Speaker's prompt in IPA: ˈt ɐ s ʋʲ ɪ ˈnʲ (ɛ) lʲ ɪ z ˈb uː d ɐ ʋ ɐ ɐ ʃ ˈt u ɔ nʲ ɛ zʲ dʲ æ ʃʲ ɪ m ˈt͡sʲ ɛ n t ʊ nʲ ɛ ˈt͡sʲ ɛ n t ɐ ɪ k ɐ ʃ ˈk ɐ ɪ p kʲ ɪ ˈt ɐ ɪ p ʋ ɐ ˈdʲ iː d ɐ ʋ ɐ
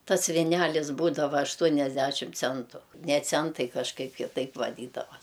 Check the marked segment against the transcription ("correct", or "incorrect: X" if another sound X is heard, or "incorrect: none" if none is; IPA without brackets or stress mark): incorrect: æ